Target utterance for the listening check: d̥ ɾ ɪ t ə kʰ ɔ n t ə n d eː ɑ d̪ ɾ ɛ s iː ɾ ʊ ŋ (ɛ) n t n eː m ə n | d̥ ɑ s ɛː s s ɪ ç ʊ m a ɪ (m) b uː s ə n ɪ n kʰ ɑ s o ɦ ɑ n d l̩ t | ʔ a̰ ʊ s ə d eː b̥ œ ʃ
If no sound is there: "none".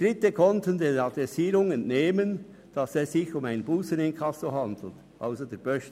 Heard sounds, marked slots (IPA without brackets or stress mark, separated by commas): ɛ, n